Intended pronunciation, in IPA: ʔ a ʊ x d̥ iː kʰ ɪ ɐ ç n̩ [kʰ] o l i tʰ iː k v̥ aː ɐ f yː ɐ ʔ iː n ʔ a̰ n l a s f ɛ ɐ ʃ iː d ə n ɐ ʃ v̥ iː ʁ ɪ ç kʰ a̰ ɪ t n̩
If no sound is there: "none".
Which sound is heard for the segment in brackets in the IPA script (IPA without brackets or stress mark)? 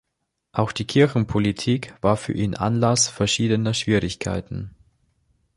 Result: pʰ